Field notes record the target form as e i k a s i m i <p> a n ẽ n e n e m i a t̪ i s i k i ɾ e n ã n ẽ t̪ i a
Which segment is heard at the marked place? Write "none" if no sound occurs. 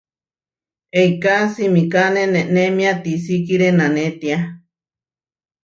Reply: k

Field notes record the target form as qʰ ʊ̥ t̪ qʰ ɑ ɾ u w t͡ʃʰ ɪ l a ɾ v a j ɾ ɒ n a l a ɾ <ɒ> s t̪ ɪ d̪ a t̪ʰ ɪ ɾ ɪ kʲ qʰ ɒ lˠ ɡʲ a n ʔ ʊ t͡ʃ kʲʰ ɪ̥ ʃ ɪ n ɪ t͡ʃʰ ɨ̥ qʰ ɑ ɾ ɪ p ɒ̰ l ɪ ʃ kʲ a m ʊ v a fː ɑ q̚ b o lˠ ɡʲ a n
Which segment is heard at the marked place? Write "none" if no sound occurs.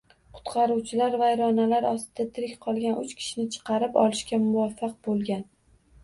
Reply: ɒ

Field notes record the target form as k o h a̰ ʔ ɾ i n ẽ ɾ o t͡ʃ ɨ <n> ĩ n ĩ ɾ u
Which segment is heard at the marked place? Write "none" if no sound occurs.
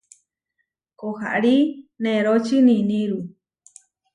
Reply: n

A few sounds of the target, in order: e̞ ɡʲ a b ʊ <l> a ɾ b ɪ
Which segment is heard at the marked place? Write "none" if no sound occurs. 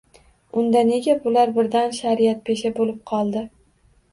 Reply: l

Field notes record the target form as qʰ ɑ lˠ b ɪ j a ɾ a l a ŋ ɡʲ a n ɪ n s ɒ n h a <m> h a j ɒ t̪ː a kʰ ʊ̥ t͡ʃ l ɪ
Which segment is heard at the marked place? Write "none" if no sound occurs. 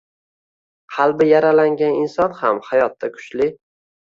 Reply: m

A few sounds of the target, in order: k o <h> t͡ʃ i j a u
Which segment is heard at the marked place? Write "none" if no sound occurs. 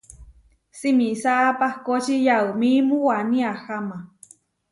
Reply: none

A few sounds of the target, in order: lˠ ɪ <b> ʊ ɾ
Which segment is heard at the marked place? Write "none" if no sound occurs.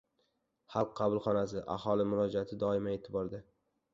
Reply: m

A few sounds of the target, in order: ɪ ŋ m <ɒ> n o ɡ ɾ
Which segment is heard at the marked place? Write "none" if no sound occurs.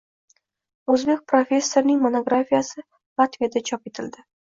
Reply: o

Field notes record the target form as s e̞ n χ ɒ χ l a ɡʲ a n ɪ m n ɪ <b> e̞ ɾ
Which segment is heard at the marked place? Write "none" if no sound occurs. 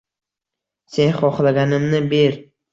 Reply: b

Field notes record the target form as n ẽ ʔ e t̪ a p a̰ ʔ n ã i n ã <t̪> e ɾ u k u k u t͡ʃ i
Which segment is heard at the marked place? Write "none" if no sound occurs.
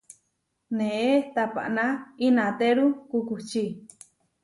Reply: t̪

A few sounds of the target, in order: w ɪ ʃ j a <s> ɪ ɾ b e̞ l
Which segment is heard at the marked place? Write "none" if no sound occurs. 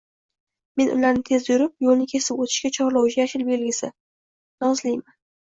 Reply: ʃ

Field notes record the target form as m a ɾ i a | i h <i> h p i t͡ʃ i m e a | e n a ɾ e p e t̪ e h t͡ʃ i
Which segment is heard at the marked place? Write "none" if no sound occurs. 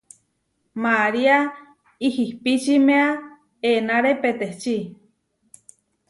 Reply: i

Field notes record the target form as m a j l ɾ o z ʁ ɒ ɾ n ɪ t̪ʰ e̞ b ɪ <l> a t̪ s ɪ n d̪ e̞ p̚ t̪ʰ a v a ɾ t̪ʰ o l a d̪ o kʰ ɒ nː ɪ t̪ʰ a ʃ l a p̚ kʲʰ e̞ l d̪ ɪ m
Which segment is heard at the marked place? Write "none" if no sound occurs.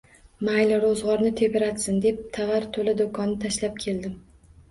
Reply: ɾ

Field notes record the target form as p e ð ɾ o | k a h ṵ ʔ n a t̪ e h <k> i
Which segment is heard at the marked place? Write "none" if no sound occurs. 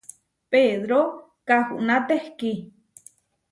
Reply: k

